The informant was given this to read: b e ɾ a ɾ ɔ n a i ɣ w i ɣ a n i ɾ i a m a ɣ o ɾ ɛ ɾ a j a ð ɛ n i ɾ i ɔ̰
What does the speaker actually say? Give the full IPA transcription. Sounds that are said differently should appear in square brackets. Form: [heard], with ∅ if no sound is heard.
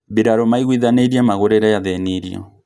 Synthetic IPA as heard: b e ɾ a ɾ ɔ [m] a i ɣ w i [ð] a n [e] ɾ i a m a ɣ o ɾ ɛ ɾ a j a ð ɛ n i ɾ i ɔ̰